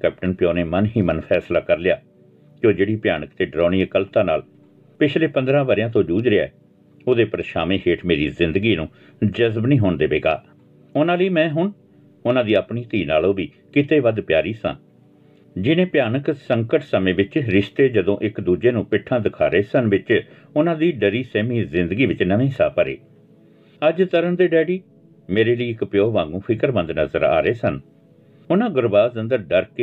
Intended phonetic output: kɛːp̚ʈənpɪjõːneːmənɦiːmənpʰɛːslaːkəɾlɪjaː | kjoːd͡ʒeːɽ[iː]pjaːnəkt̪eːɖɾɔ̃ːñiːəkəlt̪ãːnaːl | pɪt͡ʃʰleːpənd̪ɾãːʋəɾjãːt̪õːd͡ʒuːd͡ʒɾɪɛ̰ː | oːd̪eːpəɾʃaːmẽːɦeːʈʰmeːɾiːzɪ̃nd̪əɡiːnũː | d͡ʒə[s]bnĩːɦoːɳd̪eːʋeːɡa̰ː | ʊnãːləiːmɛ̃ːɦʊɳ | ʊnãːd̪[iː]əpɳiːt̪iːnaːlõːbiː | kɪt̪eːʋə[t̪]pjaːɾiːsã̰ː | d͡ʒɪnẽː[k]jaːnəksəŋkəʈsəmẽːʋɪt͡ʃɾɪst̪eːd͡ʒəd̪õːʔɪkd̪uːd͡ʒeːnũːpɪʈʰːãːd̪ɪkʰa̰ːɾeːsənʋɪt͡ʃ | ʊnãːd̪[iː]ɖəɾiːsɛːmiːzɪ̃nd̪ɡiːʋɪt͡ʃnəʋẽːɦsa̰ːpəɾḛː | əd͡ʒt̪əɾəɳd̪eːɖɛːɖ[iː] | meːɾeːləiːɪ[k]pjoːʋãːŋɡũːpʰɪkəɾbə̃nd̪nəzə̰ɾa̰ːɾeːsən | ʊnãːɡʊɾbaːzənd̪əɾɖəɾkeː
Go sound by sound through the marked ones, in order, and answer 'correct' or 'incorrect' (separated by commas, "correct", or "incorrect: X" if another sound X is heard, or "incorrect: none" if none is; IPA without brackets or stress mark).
correct, incorrect: z, correct, incorrect: d̪, incorrect: p, correct, correct, correct